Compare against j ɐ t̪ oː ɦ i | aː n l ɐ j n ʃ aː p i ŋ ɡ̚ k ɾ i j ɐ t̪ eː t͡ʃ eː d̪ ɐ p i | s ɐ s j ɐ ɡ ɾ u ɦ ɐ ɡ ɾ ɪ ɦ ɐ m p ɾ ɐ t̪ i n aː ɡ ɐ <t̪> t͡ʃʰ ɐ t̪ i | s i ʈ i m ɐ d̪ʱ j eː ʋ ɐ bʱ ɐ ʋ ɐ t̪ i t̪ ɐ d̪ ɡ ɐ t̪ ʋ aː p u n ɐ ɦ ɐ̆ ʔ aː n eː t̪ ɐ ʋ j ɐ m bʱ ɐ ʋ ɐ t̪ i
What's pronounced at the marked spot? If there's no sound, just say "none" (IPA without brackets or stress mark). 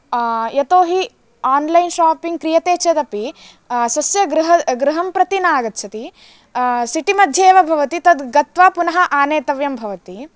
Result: t̪